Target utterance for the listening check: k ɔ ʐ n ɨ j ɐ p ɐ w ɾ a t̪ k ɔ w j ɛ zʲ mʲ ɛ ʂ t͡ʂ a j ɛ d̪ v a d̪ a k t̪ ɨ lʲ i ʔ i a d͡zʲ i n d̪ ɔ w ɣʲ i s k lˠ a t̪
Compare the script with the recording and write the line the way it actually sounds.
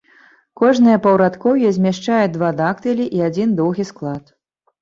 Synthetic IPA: k ɔ ʐ n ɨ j ɐ p ɐ w ɾ a t̪ k ɔ w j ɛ zʲ mʲ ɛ ʂ t͡ʂ a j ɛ d̪ v a d̪ a k t̪ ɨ lʲ i ʔ i a d͡zʲ i n d̪ ɔ w ɣʲ i s k lˠ a t̪